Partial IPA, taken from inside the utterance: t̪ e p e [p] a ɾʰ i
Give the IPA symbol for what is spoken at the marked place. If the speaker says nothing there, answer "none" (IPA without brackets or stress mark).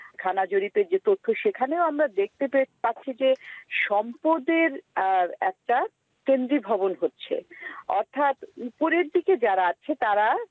p